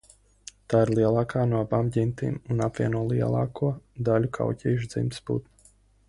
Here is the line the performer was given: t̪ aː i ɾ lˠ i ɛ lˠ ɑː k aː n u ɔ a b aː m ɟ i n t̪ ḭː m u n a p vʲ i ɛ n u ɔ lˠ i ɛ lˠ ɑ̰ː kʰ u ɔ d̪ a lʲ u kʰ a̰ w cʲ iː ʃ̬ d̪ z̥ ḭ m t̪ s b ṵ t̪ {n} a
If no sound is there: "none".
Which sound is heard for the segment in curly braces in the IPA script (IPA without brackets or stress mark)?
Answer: n